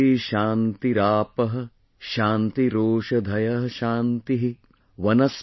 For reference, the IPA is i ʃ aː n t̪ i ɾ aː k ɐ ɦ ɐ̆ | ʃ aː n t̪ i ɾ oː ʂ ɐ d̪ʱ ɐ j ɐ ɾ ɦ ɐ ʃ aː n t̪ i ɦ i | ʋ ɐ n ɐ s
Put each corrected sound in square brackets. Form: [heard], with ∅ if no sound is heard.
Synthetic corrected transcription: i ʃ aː n t̪ i ɾ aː [p] ɐ ɦ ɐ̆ | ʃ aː n t̪ i ɾ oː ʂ ɐ d̪ʱ ɐ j ɐ [∅] ɦ ɐ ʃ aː n t̪ i ɦ i | ʋ ɐ n ɐ s